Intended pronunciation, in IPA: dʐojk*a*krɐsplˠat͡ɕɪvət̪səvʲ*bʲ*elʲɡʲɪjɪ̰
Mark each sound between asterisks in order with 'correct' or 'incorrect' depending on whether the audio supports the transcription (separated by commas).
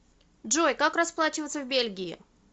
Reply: correct, correct